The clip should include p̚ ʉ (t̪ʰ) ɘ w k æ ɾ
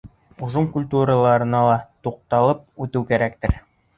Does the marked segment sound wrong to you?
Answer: yes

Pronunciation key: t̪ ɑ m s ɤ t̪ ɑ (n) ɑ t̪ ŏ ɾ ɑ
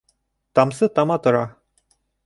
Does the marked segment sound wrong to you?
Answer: yes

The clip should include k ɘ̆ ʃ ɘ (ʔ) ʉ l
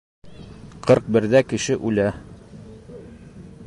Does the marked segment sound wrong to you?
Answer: no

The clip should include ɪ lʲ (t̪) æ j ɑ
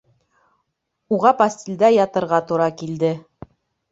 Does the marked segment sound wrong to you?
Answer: yes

